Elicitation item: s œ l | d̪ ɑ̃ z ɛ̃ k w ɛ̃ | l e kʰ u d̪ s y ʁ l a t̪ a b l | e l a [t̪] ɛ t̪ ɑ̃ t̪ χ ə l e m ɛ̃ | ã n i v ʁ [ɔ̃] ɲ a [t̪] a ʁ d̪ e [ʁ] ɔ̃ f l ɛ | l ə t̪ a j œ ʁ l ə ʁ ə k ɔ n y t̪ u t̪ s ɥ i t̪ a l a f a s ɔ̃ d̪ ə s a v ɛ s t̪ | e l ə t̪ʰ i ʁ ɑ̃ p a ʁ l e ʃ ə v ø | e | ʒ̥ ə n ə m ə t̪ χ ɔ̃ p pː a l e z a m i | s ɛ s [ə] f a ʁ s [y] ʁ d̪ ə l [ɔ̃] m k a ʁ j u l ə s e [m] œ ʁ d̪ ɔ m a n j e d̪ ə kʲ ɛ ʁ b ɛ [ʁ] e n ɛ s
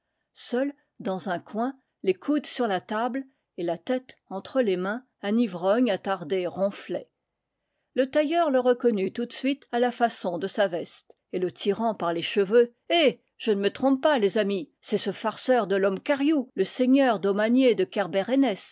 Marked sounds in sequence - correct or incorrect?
correct, incorrect, correct, correct, correct, incorrect, incorrect, incorrect, correct

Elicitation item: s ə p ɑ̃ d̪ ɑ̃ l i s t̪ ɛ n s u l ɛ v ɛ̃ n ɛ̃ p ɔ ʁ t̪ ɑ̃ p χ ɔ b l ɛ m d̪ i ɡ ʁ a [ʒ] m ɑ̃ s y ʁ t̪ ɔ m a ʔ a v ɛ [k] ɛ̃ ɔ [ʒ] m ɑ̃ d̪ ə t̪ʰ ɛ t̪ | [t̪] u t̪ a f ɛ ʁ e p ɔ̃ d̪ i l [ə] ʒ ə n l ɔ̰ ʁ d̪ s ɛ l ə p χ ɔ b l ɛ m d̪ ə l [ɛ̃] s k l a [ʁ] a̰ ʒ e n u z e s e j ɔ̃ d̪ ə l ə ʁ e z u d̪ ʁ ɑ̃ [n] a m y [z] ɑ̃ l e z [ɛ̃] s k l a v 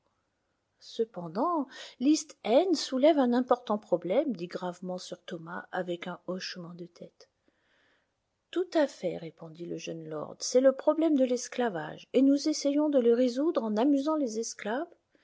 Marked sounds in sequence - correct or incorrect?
incorrect, correct, incorrect, correct, correct, incorrect, incorrect, correct, correct, incorrect

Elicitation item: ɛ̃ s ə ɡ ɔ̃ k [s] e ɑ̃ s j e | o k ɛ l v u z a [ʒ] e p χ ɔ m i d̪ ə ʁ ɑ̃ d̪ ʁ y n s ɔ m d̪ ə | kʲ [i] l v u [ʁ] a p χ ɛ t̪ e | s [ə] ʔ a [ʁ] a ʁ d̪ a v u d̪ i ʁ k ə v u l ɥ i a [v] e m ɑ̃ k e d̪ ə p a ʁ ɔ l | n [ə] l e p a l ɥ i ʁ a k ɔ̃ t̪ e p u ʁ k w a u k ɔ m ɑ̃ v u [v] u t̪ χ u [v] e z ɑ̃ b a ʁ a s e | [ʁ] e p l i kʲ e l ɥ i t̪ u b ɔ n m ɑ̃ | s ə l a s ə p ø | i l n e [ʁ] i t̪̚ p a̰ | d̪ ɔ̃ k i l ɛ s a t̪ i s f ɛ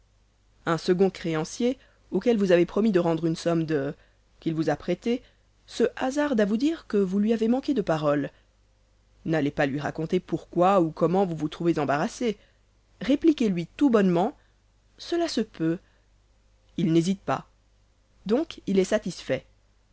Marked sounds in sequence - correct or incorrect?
incorrect, incorrect, correct, incorrect, correct, incorrect, correct, incorrect, correct, correct, correct, incorrect

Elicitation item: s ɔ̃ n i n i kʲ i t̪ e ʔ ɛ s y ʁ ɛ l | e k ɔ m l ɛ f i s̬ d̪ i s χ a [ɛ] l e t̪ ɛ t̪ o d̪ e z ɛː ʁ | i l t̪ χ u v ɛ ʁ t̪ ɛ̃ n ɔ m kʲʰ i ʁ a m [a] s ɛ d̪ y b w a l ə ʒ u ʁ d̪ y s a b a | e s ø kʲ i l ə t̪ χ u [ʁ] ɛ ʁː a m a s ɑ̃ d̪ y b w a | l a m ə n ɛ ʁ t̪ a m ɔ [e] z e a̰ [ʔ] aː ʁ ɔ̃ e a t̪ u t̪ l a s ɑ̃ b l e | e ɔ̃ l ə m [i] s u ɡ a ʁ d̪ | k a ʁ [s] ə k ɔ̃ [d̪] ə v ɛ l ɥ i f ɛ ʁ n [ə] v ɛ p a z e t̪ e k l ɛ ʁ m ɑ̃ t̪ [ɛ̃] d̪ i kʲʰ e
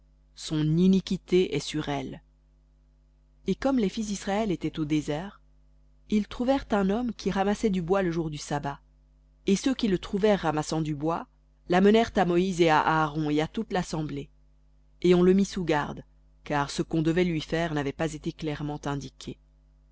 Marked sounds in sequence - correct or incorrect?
correct, correct, incorrect, incorrect, correct, correct, correct, correct, incorrect, correct

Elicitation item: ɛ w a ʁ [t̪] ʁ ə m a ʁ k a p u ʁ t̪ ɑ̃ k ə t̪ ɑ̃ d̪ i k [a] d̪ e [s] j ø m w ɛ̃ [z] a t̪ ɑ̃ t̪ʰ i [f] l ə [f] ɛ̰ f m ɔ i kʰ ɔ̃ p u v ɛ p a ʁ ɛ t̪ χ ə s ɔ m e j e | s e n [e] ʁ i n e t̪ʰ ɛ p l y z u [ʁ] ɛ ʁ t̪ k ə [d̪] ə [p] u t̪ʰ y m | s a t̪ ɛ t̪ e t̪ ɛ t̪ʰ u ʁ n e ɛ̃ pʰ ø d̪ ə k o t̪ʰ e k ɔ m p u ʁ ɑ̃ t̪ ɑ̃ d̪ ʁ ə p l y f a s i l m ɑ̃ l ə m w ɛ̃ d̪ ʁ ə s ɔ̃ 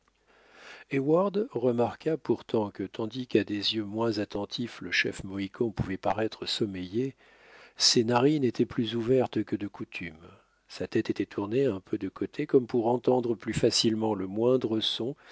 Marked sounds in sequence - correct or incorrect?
incorrect, correct, incorrect, correct, correct, incorrect, incorrect, incorrect, correct, incorrect

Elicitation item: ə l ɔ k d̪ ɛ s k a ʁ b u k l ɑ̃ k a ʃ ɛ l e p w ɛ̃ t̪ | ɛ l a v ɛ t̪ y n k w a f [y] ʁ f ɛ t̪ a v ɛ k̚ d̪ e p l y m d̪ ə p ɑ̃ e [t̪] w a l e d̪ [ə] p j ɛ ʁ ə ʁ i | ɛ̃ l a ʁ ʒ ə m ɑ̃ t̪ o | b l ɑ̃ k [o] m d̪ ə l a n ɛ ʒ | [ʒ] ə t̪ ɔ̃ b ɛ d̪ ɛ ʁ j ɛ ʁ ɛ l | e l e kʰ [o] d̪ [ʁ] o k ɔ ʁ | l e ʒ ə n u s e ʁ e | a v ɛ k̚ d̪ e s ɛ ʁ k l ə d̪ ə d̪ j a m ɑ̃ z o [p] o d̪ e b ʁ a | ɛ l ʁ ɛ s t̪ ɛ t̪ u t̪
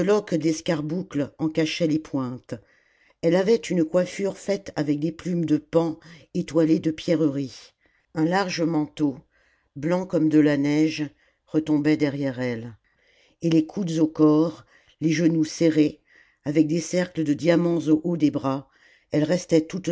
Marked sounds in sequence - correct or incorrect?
correct, correct, correct, incorrect, incorrect, incorrect, incorrect, incorrect

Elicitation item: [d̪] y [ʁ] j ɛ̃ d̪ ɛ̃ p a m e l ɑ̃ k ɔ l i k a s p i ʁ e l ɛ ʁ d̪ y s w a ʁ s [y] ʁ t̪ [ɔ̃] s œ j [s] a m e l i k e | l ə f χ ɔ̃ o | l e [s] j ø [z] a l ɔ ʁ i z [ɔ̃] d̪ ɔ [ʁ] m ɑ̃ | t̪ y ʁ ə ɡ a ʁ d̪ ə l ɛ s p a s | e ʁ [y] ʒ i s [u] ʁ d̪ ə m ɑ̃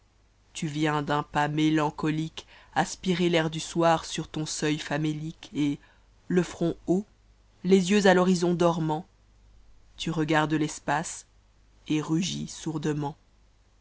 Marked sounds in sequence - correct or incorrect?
incorrect, incorrect, correct, correct, incorrect, incorrect, correct, correct, correct, correct, correct

